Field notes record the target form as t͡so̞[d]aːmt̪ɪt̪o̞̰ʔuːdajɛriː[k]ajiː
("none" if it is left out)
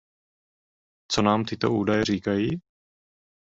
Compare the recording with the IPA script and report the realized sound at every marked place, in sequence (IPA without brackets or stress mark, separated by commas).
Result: n, k